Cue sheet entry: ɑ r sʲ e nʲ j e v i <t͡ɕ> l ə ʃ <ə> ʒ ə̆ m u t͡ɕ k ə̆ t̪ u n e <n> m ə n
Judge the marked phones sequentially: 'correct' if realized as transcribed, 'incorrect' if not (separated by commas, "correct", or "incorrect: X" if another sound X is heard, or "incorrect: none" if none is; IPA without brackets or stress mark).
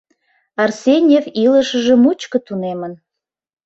incorrect: none, correct, incorrect: none